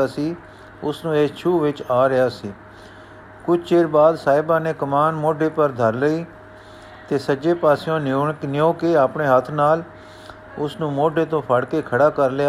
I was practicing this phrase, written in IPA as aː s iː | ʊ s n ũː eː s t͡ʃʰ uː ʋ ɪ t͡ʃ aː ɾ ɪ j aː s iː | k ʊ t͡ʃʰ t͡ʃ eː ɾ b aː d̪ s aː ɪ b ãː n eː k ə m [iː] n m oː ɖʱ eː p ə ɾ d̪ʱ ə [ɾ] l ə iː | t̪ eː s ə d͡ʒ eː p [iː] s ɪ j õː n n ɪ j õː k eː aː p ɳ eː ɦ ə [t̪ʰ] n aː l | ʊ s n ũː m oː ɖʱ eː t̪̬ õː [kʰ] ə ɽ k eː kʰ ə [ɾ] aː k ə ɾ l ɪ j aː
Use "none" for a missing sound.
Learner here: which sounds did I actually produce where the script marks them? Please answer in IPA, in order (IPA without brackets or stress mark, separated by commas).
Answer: aː, ɾ, aː, t̪ʰ, pʰ, ɽ